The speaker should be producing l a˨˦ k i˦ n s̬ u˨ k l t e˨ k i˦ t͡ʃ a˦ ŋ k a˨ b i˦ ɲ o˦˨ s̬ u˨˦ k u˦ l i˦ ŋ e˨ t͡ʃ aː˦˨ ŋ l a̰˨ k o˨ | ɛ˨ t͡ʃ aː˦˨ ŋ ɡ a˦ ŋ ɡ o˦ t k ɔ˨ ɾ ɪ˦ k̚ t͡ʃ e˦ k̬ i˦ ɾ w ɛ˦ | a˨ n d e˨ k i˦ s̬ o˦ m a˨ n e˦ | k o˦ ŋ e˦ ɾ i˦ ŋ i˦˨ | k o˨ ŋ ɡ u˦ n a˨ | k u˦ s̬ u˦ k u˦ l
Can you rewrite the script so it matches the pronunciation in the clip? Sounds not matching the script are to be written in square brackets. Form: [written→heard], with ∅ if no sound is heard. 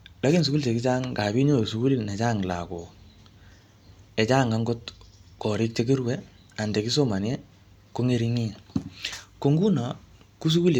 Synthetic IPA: l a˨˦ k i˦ n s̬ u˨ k l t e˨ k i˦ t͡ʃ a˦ ŋ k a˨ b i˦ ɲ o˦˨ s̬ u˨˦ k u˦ l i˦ [ŋ→n] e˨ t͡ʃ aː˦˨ ŋ l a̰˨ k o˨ | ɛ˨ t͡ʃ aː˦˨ ŋ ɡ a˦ ŋ ɡ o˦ t k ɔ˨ ɾ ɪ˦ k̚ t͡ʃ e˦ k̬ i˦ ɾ w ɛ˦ | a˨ n d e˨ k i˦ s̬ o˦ m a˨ n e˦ | k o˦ ŋ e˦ ɾ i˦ ŋ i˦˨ | k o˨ ŋ ɡ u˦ n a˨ | k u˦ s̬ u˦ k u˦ l